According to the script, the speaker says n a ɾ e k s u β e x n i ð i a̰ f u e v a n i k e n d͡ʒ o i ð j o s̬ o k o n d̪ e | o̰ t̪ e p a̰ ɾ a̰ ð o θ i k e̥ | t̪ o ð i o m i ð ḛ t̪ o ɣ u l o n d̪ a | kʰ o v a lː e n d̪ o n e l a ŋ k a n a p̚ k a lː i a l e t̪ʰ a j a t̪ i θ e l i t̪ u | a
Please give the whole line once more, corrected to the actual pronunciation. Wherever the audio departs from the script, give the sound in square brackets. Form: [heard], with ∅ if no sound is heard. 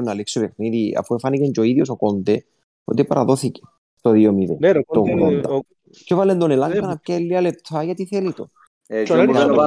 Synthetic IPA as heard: n a [l] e k s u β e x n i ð i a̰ f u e [f] a n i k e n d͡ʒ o i ð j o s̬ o k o n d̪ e | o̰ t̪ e p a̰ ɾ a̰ ð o θ i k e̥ | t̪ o ð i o m i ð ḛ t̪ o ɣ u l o n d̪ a | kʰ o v a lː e n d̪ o n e l a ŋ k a n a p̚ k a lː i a l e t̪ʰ a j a t̪ i θ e l i t̪ [o] | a